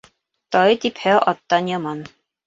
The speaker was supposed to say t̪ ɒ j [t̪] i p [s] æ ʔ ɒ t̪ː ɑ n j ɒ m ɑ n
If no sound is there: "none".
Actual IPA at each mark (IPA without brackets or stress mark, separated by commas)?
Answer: t̪, h